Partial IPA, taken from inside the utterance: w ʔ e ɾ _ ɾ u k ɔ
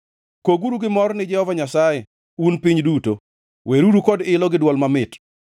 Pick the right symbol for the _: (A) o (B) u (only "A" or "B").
B